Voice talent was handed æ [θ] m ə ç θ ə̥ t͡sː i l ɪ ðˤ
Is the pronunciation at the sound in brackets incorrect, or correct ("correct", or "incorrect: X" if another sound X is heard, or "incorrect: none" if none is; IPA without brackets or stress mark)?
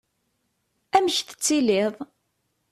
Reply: incorrect: none